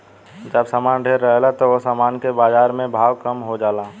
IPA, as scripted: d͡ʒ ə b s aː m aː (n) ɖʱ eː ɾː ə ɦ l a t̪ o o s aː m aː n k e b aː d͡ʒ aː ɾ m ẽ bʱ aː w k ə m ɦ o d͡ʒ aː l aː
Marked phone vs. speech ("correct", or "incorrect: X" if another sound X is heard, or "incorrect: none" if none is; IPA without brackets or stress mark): correct